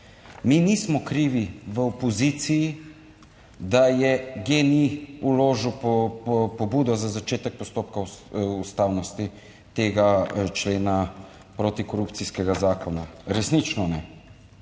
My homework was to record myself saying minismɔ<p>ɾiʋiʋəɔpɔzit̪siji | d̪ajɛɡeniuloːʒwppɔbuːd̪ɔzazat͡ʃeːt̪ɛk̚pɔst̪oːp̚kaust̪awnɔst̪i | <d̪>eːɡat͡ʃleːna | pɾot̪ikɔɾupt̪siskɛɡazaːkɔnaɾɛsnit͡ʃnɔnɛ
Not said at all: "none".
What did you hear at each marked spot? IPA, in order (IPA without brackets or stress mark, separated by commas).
k, t̪